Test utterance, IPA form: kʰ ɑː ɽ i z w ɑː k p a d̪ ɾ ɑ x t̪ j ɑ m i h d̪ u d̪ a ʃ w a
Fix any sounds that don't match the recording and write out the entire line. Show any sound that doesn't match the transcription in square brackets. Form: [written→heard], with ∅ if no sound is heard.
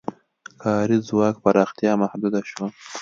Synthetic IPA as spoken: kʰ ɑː [ɽ→ɾ] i z w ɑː k p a [d̪→∅] ɾ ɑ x t̪ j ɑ m [i→a] h d̪ u d̪ a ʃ w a